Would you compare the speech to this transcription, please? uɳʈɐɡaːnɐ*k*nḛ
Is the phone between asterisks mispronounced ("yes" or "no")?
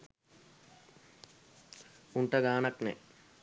no